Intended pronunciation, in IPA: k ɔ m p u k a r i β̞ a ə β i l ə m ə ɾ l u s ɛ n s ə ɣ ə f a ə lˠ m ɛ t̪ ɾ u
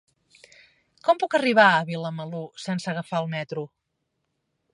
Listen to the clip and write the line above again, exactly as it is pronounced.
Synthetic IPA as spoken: k ɔ m p u k ə r i β̞ a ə β i l ə m ə l u s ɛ n s ə ɣ ə f a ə lˠ m ɛ t̪ ɾ u